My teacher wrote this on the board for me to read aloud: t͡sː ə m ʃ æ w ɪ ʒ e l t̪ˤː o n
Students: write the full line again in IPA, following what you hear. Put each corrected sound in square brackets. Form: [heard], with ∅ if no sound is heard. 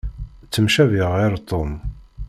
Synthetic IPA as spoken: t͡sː ə m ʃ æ [v] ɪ [ʁ] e [ɾ] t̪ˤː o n